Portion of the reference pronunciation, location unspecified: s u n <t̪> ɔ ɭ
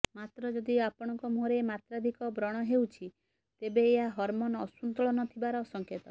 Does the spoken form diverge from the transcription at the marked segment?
no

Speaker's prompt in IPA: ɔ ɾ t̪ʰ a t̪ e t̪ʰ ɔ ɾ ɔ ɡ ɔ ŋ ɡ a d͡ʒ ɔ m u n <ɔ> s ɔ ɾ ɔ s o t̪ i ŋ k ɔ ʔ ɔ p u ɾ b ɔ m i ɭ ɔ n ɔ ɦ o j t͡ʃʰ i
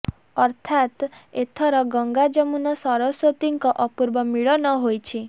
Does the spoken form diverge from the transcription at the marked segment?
no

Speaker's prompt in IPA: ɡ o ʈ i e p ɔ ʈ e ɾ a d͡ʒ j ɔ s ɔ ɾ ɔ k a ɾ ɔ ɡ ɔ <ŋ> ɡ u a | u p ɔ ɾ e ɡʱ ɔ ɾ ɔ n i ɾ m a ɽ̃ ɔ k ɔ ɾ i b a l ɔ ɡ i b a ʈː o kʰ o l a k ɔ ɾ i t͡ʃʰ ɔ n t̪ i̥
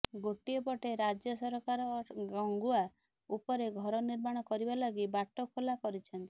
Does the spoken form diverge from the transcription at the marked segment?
no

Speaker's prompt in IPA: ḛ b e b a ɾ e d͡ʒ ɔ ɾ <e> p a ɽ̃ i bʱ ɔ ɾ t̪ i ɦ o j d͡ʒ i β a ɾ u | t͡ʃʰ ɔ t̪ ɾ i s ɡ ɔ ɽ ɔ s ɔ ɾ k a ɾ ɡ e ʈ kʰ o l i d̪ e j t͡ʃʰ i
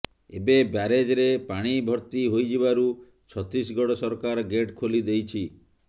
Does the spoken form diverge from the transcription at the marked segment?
no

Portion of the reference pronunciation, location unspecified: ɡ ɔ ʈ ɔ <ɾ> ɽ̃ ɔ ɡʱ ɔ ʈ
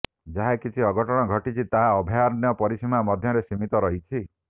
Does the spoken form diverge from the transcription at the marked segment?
yes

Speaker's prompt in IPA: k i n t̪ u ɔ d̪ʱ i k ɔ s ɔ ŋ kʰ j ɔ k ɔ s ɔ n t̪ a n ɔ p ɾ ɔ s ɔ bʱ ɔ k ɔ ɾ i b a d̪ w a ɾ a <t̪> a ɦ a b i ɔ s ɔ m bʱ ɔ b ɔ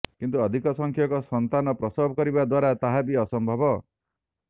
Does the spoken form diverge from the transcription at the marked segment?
no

